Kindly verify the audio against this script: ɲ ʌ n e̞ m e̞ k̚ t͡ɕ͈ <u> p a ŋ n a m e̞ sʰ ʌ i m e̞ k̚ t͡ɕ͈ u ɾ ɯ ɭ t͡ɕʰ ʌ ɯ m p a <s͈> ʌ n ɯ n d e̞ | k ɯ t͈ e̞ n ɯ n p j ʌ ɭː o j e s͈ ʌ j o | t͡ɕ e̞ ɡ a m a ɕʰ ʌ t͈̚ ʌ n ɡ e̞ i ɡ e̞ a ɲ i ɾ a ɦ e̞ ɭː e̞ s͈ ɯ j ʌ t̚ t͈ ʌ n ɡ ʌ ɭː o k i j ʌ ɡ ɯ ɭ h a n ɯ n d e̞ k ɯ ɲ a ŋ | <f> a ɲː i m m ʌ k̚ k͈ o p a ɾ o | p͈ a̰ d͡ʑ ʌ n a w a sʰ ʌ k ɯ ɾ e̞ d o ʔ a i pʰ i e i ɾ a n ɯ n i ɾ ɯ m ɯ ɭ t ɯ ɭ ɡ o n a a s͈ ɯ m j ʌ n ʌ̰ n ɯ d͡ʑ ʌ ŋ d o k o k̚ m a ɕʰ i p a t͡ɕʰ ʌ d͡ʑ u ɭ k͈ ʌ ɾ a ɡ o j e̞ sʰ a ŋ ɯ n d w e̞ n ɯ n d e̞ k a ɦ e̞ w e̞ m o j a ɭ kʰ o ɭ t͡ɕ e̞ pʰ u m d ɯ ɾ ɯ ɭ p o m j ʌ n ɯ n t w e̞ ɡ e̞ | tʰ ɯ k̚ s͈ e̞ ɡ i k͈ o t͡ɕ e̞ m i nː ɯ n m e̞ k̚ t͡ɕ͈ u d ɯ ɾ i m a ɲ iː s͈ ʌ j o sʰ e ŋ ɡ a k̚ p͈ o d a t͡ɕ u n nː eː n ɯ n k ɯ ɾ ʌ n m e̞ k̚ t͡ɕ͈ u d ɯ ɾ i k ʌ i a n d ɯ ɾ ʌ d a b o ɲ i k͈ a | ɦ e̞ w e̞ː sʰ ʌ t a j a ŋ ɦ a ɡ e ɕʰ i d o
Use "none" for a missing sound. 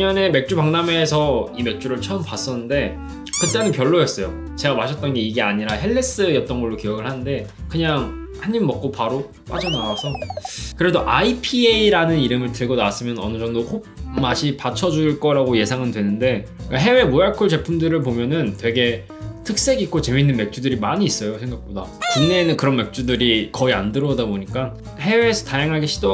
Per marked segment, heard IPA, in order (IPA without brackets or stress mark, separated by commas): u, s͈, h